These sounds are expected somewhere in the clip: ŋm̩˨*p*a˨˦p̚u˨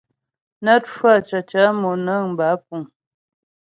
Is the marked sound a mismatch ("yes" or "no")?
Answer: yes